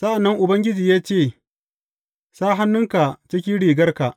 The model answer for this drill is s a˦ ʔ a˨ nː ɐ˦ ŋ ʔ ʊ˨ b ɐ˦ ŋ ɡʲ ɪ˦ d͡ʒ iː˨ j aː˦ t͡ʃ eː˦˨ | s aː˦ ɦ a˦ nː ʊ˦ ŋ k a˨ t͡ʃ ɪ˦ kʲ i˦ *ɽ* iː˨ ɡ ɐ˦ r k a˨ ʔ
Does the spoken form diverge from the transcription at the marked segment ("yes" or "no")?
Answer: no